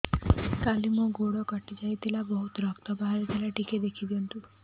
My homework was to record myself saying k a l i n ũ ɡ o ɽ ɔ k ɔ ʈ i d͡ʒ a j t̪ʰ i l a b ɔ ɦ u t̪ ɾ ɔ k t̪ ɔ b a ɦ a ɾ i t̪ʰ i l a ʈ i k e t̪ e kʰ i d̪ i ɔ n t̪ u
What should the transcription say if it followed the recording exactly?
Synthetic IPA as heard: k a l i m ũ ɡ o ɽ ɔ k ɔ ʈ i d͡ʒ a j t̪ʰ i l a b ɔ ɦ u t̪ ɾ ɔ k t̪ ɔ b a ɦ a ɾ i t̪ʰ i l a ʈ i k e d̪ e kʰ i d̪ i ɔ n t̪ u